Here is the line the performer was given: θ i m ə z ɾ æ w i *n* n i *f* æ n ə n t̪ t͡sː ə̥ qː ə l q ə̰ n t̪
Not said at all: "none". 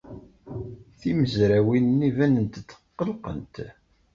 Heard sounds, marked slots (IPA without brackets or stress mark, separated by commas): n, v